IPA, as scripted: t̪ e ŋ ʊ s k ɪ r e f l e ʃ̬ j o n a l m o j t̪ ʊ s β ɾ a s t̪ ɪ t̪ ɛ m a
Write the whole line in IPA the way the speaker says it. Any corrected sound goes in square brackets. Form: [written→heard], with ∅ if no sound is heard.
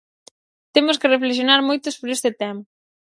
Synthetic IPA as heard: t̪ e [ŋ→m] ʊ s k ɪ r e f l e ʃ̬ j o n a [l→ɾ] m o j t̪ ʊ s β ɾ [a→e] s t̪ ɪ t̪ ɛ m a